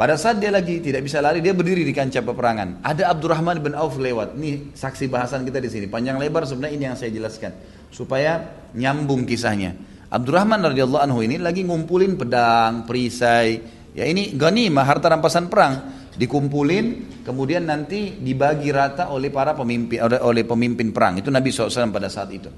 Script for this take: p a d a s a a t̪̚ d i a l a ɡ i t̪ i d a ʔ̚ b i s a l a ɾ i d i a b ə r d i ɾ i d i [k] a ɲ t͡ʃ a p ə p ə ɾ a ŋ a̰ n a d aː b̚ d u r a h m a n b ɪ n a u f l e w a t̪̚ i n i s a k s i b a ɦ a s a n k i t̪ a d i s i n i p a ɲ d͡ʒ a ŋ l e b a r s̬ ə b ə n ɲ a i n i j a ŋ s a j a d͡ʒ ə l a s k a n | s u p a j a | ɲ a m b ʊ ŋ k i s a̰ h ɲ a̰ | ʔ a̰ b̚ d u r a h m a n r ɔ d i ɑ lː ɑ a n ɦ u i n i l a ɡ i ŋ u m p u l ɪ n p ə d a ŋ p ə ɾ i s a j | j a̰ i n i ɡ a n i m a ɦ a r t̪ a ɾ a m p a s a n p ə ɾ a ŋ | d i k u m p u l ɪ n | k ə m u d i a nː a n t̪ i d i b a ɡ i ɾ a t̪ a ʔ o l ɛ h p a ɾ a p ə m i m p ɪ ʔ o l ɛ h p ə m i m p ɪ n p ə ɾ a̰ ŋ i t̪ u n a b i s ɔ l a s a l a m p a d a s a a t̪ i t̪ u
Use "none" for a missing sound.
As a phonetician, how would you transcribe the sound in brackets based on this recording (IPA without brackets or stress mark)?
k